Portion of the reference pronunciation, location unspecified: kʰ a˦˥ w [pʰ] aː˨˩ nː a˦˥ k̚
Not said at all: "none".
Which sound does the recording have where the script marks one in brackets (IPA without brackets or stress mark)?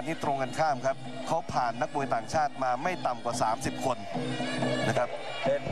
pʰ